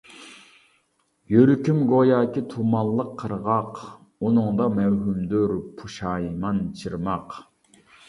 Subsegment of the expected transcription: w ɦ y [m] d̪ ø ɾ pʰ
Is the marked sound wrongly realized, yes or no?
no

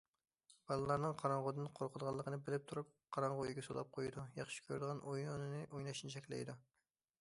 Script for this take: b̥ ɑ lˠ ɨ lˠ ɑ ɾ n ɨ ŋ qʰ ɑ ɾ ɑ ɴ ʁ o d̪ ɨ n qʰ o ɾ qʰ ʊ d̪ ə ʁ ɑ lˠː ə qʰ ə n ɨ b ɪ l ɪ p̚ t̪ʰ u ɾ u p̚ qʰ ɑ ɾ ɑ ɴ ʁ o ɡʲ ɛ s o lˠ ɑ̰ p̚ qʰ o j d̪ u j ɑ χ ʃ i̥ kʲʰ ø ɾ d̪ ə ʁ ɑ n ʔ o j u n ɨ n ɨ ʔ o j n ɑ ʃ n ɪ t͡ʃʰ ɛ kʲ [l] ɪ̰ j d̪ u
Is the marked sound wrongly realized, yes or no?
no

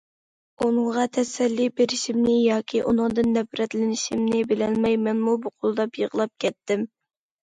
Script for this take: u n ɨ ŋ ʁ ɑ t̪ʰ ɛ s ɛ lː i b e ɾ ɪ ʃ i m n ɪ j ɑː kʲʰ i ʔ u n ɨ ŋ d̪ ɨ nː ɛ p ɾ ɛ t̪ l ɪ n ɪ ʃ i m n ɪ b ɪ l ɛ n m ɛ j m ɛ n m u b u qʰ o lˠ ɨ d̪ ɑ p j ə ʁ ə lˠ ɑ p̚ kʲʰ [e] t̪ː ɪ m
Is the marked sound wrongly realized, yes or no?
yes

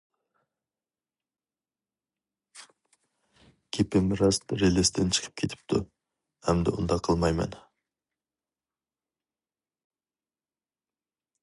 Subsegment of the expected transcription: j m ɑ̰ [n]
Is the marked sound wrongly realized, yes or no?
no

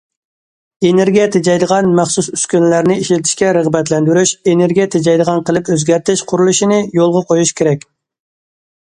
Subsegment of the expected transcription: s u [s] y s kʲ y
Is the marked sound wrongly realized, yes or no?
no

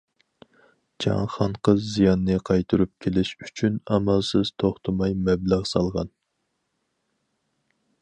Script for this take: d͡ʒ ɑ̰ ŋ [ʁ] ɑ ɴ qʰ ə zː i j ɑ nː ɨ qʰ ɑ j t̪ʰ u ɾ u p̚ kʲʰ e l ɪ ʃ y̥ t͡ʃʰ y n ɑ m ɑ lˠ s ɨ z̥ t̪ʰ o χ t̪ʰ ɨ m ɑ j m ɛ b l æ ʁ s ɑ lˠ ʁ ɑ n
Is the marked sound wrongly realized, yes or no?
yes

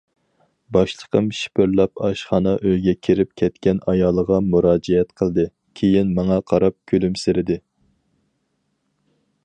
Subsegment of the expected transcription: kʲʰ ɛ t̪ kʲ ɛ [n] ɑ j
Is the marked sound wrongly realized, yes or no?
no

